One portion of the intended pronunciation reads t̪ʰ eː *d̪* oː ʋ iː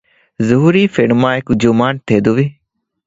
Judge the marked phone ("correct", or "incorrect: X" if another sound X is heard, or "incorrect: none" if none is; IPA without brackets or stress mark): correct